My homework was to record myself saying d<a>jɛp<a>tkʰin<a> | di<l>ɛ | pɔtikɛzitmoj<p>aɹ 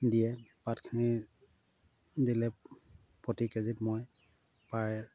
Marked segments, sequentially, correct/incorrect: incorrect, correct, incorrect, correct, correct

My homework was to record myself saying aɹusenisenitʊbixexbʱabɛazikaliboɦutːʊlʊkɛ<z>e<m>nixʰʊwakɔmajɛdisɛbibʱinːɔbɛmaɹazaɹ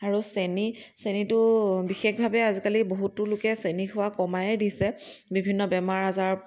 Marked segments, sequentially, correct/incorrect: incorrect, incorrect

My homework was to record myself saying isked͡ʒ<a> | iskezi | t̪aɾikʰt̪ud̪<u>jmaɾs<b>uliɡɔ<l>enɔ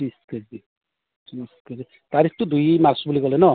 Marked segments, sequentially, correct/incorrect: incorrect, correct, correct, correct

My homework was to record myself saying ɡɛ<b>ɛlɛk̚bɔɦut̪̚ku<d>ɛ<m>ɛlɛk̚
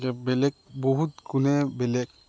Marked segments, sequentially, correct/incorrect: correct, incorrect, incorrect

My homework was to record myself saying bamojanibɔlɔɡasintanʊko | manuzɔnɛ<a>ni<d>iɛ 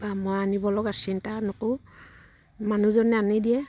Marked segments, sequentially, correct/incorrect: correct, correct

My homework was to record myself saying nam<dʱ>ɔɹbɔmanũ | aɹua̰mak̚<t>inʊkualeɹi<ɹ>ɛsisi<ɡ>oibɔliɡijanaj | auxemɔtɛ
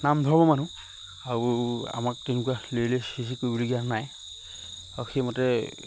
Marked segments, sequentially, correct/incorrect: correct, correct, incorrect, incorrect

